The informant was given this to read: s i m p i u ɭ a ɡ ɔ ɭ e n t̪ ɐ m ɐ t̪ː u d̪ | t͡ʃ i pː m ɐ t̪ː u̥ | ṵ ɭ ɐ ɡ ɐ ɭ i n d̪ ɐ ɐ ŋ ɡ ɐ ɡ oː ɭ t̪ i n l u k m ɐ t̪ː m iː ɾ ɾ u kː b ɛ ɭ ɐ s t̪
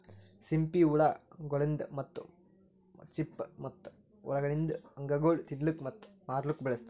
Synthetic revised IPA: s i m p i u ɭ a ɡ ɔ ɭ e n d̪ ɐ m ɐ t̪ː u | t͡ʃ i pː m ɐ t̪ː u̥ | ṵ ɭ ɐ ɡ ɐ ɭ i n d̪ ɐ ɐ ŋ ɡ ɐ ɡ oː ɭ t̪ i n l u k m ɐ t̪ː m aː ɾ l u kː b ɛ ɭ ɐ s t̪